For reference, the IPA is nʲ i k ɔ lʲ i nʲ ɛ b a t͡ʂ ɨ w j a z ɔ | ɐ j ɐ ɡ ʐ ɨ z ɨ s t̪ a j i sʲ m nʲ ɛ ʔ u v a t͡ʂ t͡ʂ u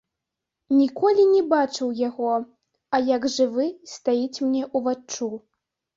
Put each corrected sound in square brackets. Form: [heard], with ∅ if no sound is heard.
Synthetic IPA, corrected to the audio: nʲ i k ɔ lʲ i nʲ ɛ b a t͡ʂ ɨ w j a [ɣ] ɔ | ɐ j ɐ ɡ ʐ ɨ [v] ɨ s t̪ a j i [t͡sʲ] m nʲ ɛ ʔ u v a t͡ʂ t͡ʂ u